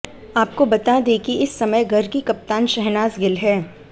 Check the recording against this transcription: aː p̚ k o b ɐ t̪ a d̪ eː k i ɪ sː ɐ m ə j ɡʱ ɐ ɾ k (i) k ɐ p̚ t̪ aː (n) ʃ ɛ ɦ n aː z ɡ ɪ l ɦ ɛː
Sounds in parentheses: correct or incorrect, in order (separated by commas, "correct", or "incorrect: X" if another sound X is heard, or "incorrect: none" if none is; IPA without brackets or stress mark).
correct, correct